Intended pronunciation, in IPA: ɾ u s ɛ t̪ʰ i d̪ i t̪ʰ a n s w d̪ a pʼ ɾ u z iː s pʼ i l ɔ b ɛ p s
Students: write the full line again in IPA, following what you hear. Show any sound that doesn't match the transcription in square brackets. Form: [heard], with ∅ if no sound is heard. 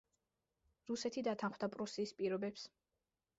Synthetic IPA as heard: ɾ u s ɛ t̪ʰ i d̪ [a] t̪ʰ a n [χ] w d̪ a pʼ ɾ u [s] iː s pʼ i [ɾ] ɔ b ɛ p s